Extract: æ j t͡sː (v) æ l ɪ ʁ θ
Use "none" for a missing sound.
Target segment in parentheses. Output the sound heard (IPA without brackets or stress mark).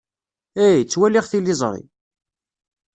w